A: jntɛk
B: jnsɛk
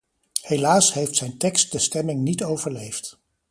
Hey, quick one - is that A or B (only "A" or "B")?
A